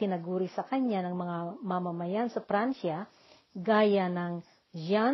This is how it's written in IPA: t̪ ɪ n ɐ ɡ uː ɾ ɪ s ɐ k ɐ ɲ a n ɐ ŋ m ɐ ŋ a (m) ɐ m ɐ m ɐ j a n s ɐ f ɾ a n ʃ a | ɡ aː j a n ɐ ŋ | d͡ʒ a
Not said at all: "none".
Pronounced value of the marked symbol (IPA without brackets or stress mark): m